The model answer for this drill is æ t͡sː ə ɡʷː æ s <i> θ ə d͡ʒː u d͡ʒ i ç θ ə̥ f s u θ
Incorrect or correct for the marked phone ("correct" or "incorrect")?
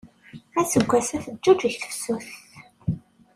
incorrect